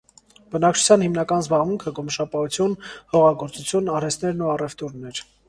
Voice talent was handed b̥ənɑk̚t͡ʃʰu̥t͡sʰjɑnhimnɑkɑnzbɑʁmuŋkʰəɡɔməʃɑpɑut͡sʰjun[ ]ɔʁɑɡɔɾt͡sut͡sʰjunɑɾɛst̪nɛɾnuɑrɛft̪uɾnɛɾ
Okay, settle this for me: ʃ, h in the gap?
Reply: h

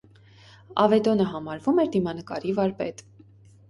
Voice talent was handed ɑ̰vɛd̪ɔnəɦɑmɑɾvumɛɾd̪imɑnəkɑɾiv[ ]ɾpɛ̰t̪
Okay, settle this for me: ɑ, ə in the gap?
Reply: ɑ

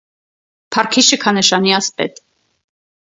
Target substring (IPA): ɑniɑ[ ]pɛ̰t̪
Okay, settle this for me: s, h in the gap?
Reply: s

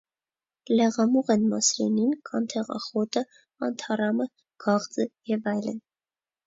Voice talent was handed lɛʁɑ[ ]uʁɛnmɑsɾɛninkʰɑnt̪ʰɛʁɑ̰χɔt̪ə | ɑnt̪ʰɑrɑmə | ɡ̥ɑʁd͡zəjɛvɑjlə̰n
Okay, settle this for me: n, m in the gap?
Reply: m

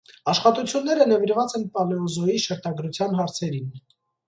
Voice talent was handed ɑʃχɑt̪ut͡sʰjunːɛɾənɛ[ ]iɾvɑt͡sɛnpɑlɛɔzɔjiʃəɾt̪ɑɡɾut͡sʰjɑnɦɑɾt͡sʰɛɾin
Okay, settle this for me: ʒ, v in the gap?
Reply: v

